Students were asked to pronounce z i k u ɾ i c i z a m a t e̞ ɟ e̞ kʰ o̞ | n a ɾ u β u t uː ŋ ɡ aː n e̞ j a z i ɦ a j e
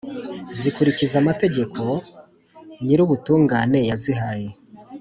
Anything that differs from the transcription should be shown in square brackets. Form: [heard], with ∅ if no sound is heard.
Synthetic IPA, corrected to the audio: z i k u ɾ i c i z a m a t e̞ ɟ e̞ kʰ o̞ | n [i] ɾ u β u t uː ŋ ɡ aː n e̞ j a z i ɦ a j e